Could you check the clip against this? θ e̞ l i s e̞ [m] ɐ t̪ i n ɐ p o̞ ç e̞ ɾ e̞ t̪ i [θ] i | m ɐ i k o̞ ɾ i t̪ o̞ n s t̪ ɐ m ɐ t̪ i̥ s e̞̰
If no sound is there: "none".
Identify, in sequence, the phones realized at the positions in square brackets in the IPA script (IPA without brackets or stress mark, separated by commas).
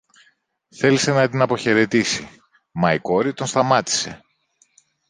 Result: n, s